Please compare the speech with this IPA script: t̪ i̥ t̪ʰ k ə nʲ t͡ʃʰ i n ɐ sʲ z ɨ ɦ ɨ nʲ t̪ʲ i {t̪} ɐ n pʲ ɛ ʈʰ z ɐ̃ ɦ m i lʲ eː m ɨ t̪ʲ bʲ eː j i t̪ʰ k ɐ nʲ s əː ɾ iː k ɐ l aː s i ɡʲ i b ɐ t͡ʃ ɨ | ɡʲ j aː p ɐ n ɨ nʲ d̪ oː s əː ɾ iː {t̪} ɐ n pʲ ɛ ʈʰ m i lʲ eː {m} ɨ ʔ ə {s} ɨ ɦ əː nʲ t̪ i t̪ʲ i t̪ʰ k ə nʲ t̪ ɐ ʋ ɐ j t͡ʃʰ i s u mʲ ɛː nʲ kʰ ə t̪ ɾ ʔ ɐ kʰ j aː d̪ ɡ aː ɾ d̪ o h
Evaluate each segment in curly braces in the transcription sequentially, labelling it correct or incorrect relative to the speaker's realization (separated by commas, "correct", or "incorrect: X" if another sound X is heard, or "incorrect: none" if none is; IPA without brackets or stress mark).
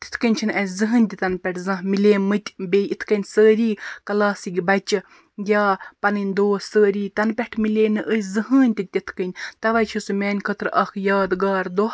correct, correct, incorrect: n, incorrect: z